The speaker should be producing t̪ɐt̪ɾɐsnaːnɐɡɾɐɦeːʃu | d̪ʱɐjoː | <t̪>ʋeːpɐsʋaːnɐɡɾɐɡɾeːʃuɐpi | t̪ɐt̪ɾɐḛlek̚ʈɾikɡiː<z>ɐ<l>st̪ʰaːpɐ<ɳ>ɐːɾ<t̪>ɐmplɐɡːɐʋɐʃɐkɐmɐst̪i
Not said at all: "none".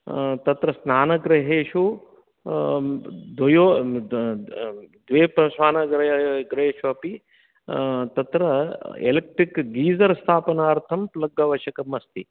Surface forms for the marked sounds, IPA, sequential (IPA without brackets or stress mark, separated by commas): d̪, z, ɾ, n, t̪ʰ